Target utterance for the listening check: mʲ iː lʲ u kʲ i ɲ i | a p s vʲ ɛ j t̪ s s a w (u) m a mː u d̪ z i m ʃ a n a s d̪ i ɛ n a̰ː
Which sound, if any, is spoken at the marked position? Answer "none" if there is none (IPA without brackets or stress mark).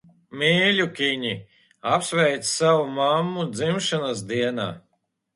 u